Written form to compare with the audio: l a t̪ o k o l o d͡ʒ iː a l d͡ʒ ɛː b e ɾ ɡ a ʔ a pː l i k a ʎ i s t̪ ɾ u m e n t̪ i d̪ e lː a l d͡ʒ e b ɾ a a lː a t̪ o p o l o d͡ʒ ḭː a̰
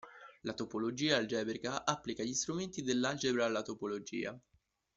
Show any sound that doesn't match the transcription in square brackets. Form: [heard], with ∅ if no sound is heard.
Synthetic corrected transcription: l a t̪ o [p] o l o d͡ʒ iː a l d͡ʒ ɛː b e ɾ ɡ a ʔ a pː l i k a ʎ i s t̪ ɾ u m e n t̪ i d̪ e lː a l d͡ʒ e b ɾ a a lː a t̪ o p o l o d͡ʒ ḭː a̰

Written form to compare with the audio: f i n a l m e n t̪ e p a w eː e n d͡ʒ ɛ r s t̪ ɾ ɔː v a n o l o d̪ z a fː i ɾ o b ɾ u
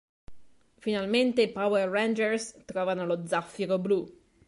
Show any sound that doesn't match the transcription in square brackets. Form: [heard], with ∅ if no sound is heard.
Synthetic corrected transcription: f i n a l m e n t̪ e p a w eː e n d͡ʒ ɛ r s t̪ ɾ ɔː v a n o l o d̪ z a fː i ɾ o b [l] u

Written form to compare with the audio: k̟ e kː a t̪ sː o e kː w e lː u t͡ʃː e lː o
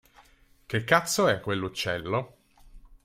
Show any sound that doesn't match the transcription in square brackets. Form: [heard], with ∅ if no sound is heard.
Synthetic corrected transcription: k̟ e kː a t̪ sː o [ɛ] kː w e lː u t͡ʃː [ɛ] lː o

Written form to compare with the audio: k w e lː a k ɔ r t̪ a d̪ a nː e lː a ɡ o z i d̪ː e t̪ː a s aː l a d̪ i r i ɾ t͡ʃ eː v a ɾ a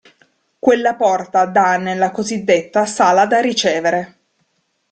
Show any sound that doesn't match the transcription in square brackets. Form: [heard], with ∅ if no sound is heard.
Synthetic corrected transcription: k w e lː a [p] ɔ r t̪ a d̪ a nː e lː a [k] o z i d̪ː e t̪ː a s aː l a d̪ [a] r i [∅] t͡ʃ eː v [e] ɾ [e]

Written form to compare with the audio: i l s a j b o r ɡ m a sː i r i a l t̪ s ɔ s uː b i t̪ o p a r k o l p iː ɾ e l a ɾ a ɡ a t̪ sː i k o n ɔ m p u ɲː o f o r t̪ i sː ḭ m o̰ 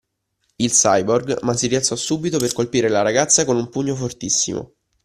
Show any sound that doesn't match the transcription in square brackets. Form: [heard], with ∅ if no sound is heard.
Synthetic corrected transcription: i l s a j b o r ɡ m a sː i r i a l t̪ s ɔ s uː b i t̪ o p [e] r k o l p iː ɾ e l a ɾ a ɡ a t̪ sː [a] k o n [u] m p u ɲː o f o r t̪ i sː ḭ m o̰

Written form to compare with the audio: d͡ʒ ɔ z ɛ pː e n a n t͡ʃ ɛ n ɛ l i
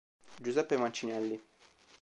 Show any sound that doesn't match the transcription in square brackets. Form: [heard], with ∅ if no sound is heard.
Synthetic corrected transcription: d͡ʒ [u] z ɛ pː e [m] a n t͡ʃ [i] n ɛ [lː] i

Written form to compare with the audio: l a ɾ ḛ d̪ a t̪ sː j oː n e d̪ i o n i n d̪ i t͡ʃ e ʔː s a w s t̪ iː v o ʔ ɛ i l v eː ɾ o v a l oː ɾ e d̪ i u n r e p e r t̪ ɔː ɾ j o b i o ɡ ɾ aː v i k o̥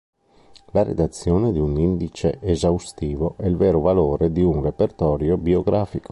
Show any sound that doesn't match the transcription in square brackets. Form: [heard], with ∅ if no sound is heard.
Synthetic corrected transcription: l a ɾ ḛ d̪ a t̪ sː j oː n e d̪ i [u] n i n d̪ i t͡ʃ e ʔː [z] a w s t̪ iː v o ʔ ɛ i l v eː ɾ o v a l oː ɾ e d̪ i u n r e p e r t̪ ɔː ɾ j o b i o ɡ ɾ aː [f] i k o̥

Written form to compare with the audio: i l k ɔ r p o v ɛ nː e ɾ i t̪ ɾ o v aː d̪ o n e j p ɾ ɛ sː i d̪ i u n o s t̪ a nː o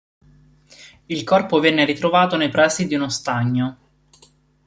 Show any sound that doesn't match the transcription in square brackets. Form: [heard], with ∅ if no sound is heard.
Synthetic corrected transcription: i l k ɔ r p o v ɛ nː e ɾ i t̪ ɾ o v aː [t̪] o n e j p ɾ [a] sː i d̪ i u n o s t̪ a [ɲː] o

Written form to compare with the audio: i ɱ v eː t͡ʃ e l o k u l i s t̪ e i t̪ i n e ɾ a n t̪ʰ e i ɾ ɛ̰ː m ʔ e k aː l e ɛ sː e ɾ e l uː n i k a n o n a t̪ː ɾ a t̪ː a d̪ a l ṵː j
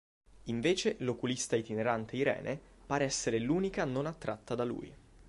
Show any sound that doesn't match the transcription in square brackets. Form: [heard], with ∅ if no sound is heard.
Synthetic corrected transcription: i ɱ v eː t͡ʃ e l o k u l i s t̪ [a] i t̪ i n e ɾ a n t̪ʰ e i ɾ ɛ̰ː [n] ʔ e [p] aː [ɾ] e ɛ sː e ɾ e l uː n i k a n o n a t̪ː ɾ a t̪ː a d̪ a l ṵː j

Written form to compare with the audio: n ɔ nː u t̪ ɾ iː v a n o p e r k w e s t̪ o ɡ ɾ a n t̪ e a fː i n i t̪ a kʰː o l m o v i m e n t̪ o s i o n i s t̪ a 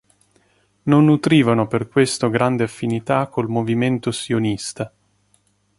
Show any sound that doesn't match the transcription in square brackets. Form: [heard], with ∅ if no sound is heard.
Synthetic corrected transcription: n [o] nː u t̪ ɾ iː v a n o p e r k w e s t̪ o ɡ ɾ a n [d̪] e a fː i n i t̪ a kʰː o l m o v i m e n t̪ o s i o n i s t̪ a

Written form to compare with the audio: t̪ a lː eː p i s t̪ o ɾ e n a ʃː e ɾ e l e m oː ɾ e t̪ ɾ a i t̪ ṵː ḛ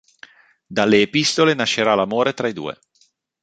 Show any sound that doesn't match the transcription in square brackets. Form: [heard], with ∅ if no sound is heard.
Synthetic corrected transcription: [d̪] a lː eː p i s t̪ o [l] e n a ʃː e ɾ [a] l [a] m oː ɾ e t̪ ɾ a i [d̪] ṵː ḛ

